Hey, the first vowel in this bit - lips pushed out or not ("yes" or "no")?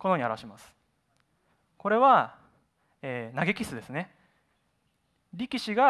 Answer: yes